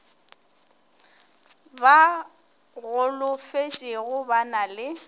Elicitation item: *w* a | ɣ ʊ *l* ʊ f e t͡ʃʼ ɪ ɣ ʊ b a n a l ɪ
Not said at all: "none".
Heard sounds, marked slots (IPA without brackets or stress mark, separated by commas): b, l